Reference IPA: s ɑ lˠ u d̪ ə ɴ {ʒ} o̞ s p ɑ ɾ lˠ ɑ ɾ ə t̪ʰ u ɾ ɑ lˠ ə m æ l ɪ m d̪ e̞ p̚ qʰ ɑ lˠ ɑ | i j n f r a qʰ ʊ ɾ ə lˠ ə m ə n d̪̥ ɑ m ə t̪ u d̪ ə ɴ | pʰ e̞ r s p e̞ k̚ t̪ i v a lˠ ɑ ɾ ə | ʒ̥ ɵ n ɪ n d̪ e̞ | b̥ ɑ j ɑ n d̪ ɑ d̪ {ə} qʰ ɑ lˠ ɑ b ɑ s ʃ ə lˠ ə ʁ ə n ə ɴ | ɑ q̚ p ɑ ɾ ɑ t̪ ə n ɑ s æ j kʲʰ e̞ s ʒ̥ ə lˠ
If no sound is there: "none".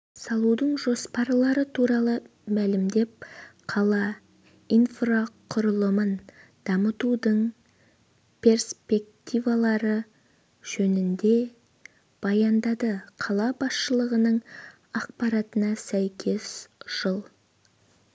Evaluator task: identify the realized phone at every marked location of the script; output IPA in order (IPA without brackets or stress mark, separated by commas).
ʒ, ə